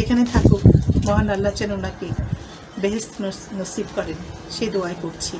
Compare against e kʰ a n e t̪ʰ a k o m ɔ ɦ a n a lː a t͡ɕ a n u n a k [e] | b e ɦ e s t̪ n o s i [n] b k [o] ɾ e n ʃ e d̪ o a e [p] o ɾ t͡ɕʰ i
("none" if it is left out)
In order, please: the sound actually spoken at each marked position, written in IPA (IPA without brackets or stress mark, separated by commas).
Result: e, none, ɔ, k